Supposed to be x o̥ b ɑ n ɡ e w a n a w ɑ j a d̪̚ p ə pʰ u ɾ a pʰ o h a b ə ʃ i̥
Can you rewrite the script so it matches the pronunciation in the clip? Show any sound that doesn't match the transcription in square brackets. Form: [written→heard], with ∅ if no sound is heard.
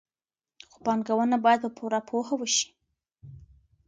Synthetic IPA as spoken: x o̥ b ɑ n ɡ [e→a] w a n a [w→b] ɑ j a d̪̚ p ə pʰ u ɾ a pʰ o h a [b→w] ə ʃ i̥